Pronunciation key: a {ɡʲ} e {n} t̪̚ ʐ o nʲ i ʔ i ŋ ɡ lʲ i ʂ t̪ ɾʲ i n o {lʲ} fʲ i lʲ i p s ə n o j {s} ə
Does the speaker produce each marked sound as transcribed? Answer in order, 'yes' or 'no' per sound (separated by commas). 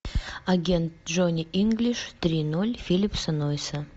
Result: yes, yes, yes, yes